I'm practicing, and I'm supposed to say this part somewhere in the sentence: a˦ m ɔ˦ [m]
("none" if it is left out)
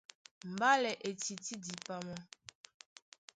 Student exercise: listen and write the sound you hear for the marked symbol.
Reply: none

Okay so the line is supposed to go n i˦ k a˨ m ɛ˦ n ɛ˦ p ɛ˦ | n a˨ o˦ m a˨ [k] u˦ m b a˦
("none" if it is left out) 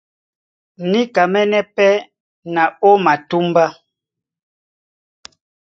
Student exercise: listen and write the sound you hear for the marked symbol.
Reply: t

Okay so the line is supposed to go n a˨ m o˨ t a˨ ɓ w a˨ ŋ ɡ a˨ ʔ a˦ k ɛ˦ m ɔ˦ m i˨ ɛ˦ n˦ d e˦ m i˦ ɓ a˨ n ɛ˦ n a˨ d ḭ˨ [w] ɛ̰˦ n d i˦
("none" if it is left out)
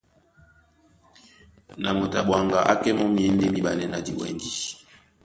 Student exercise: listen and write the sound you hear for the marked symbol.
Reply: w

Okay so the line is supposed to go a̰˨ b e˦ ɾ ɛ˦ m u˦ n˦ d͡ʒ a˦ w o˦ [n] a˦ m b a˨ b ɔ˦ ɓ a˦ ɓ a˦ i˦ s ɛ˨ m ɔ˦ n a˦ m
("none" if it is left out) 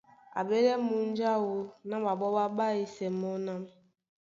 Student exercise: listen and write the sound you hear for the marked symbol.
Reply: n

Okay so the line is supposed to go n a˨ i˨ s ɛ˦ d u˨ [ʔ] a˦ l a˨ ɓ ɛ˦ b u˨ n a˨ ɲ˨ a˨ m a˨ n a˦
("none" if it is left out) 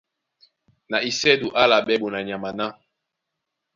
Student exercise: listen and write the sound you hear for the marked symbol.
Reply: ʔ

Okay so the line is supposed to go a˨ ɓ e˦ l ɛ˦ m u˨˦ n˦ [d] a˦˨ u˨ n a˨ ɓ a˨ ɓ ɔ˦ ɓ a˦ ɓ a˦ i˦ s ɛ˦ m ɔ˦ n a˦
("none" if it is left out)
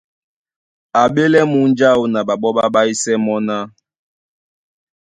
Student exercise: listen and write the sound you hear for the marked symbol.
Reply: d͡ʒ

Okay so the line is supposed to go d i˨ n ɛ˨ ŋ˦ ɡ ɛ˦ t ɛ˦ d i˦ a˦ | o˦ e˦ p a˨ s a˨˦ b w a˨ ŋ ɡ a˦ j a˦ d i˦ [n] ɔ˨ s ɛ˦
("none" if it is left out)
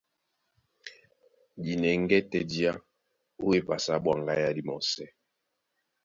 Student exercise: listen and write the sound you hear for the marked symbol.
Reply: m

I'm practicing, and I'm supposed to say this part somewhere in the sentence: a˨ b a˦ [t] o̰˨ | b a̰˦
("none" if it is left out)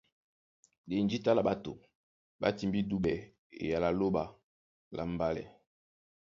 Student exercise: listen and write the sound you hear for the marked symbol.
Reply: t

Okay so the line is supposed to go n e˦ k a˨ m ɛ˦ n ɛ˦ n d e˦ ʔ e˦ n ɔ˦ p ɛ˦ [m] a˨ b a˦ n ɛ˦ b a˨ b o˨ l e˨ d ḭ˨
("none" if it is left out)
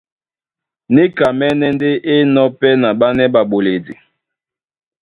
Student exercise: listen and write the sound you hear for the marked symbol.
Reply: n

